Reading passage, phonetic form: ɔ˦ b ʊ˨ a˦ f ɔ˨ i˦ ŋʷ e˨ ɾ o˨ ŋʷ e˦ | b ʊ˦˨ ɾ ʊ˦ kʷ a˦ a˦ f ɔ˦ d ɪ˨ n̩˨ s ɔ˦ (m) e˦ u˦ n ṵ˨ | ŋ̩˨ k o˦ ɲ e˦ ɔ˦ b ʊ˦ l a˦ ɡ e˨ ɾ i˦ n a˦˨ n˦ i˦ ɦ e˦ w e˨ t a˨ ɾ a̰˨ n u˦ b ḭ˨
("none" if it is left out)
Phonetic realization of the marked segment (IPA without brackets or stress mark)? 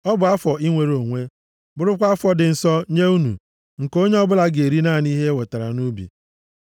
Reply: ɲ